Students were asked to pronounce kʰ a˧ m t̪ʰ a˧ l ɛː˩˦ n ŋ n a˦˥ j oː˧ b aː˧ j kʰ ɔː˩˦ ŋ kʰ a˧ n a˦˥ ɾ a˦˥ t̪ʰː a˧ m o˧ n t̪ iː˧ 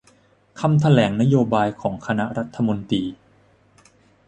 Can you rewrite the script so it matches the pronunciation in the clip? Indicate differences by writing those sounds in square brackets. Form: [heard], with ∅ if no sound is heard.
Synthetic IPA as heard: kʰ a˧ m t̪ʰ a˧ l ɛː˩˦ [∅] ŋ n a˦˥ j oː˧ b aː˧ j kʰ ɔː˩˦ ŋ kʰ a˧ n a˦˥ ɾ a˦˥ t̪ʰː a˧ m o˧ n t̪ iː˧